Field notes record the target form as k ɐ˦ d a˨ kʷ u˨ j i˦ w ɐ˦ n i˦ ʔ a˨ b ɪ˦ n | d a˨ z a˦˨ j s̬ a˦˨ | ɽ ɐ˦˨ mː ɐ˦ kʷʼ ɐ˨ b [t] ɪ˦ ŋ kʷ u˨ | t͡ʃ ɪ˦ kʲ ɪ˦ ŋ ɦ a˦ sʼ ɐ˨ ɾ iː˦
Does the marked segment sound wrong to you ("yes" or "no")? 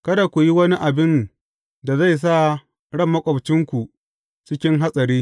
yes